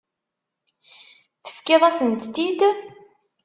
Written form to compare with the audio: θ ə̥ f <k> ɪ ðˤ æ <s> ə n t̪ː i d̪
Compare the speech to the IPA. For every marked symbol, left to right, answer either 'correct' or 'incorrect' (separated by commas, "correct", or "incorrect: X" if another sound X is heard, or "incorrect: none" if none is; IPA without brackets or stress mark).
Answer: correct, correct